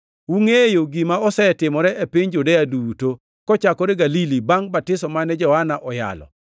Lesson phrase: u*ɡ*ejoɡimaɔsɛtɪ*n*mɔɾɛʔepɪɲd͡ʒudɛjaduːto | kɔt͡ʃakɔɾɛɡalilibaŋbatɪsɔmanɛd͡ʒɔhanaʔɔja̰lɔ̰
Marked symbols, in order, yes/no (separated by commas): no, no